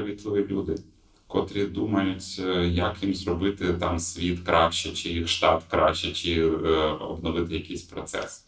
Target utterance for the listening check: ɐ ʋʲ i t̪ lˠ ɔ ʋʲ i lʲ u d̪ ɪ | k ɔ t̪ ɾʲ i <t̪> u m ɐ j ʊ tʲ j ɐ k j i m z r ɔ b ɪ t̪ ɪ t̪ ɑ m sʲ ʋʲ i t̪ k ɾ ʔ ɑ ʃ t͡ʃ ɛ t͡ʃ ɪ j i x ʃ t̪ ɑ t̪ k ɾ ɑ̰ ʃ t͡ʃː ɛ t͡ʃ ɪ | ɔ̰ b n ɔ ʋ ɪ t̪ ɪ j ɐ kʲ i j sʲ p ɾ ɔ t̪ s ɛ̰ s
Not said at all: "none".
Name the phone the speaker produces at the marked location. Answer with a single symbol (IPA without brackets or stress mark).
d̪